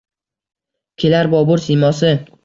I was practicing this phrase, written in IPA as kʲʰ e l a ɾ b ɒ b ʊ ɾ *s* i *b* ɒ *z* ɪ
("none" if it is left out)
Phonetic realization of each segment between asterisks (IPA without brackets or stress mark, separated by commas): s, m, s